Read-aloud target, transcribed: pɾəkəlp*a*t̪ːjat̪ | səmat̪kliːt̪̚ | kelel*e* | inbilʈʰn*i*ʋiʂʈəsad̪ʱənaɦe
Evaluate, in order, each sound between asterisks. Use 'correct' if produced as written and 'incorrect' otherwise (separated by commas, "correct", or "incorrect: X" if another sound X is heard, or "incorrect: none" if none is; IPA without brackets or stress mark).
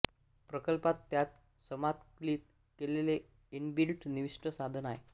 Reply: correct, correct, correct